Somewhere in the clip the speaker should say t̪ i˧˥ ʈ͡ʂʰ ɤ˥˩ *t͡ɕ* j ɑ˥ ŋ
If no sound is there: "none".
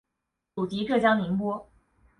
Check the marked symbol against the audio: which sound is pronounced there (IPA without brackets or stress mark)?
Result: t͡ɕ